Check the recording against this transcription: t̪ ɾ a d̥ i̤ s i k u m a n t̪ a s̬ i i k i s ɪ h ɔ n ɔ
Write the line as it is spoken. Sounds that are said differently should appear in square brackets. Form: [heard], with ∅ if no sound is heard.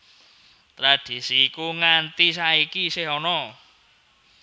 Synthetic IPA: t̪ ɾ a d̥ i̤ s i k u [ŋ] a n t̪ [i] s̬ [a] i k i s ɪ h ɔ n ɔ

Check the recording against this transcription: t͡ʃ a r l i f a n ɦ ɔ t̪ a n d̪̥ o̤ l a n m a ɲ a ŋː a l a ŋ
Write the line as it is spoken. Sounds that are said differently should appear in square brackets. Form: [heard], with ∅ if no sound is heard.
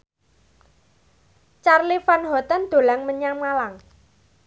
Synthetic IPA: t͡ʃ a r l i f a n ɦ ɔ t̪ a n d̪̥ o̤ l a [ŋ] m [ə] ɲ a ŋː a l a ŋ

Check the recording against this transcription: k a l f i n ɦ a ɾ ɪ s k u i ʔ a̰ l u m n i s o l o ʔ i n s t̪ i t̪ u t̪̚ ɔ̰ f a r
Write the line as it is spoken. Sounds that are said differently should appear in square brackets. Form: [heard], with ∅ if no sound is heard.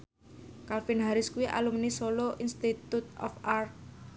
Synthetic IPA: k a l f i n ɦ a ɾ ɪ s k u i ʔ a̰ l u m n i s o l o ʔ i n s t̪ i t̪ u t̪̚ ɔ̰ f a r

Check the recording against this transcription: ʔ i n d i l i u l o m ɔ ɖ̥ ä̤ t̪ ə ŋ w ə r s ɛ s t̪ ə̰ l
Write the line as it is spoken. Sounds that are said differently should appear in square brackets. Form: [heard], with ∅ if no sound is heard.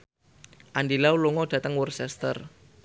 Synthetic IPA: ʔ [a] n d i l [a] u l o [ŋ] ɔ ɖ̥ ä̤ t̪ ə ŋ w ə r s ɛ s t̪ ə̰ [r]

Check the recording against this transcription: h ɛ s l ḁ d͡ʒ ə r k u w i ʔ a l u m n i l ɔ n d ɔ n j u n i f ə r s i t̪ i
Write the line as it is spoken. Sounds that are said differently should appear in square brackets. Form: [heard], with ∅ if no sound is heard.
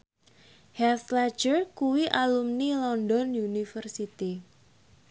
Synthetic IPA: h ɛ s l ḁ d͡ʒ ə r k u w i ʔ a l u m n i l ɔ n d ɔ n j u n i f ə r s i t̪ i

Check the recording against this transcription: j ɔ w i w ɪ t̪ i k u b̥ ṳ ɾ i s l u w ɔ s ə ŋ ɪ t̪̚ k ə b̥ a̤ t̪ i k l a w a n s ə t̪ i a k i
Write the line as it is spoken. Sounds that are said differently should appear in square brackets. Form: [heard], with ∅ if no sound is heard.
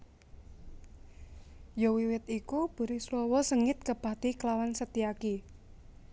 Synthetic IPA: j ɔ w i w ɪ t̪ i k u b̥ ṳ ɾ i s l [ɔ] w ɔ s ə ŋ ɪ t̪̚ k ə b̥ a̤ t̪ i k l a w a n s ə t̪ i a k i

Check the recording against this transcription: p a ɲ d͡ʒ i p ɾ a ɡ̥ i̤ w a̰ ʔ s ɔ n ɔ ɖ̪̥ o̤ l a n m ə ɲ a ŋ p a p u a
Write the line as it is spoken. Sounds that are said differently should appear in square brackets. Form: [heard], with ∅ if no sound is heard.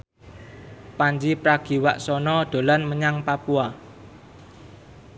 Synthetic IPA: p a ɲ d͡ʒ i p ɾ a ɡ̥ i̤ w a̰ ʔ s ɔ n ɔ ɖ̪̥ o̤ l a n m ə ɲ a ŋ p a p u a

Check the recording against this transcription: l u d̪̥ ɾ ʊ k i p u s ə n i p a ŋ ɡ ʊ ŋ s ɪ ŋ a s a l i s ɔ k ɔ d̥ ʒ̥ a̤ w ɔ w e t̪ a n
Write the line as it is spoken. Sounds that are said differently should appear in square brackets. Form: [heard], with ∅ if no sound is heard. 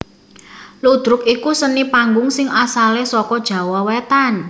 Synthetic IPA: l u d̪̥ ɾ ʊ k i [k] u s ə n i p a ŋ ɡ ʊ ŋ s ɪ ŋ a s a l [e] s ɔ k ɔ d̥ ʒ̥ a̤ w ɔ w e t̪ a n

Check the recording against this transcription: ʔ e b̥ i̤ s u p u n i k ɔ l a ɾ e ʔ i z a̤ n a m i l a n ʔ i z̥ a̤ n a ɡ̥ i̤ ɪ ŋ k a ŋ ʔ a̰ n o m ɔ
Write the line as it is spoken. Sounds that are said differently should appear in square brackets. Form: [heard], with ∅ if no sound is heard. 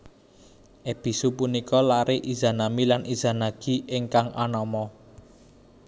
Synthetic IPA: ʔ e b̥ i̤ s u p u n i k ɔ l a ɾ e ʔ i z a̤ n a m i l a n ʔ i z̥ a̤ n a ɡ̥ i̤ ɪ ŋ k a ŋ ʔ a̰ n [ɔ] m ɔ

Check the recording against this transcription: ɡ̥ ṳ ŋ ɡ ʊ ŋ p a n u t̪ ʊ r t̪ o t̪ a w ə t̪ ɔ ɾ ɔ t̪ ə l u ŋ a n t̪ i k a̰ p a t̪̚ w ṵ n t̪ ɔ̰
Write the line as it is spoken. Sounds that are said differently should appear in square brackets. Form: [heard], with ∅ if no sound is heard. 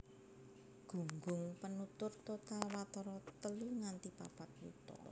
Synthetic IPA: ɡ̥ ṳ ŋ ɡ ʊ ŋ p [ə] n u t̪ ʊ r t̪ o t̪ a w [a] t̪ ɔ ɾ ɔ t̪ ə l u ŋ a n t̪ i [p] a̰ p a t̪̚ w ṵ [∅] t̪ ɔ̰

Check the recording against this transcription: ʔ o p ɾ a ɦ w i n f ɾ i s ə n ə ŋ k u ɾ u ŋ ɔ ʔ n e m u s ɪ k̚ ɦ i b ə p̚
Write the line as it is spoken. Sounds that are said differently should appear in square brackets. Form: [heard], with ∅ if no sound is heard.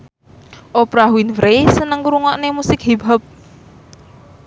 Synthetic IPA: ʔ o p ɾ a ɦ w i n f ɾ [e] s ə n ə ŋ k u ɾ u ŋ ɔ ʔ n e m u s ɪ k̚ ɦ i b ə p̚

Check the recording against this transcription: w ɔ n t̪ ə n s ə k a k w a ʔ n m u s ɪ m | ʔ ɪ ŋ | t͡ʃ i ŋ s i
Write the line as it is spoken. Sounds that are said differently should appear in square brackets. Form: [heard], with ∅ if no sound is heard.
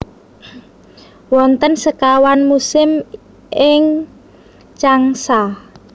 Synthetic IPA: w ɔ n t̪ ə n s ə k a [∅] w a [∅] n m u s ɪ m | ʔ ɪ ŋ | t͡ʃ [a] ŋ s [a]

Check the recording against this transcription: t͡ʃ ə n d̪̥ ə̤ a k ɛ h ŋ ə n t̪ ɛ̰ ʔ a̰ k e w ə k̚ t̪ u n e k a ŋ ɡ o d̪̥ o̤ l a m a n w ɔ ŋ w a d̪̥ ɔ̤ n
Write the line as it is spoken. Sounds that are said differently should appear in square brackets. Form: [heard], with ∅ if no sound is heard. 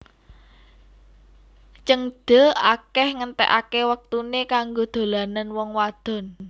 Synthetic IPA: t͡ʃ ə [ŋ] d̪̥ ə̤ a k ɛ h ŋ ə n t̪ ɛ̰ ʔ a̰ k e w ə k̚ t̪ u n e k a ŋ ɡ o d̪̥ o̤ l a [n] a n w ɔ ŋ w a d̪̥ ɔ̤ n

